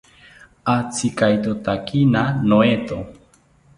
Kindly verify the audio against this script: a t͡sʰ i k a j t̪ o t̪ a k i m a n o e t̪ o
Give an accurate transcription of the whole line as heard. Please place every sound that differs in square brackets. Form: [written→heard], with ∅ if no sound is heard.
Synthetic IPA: a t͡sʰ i k a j t̪ o t̪ a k i [m→n] a n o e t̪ o